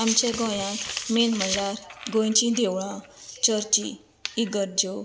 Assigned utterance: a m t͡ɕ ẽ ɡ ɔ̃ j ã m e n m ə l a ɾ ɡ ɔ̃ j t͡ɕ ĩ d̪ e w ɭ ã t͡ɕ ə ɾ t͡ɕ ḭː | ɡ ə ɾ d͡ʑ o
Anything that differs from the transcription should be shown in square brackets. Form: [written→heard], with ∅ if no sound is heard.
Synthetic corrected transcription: a m t͡ɕ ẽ ɡ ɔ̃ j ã m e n m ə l a ɾ ɡ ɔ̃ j t͡ɕ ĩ d̪ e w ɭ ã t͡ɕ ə ɾ t͡ɕ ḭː | ɡ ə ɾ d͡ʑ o